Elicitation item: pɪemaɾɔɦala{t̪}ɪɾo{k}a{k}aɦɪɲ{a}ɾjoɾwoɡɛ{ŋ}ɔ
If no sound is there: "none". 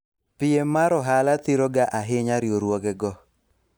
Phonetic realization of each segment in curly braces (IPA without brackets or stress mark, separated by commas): t̪, ɡ, ʔ, a, ɡ